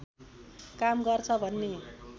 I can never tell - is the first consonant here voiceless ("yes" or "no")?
yes